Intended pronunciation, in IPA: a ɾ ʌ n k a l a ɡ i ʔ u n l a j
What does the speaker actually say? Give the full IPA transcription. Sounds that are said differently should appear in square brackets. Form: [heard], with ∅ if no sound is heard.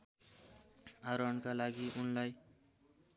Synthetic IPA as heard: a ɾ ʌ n k a l a ɡ i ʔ u n l a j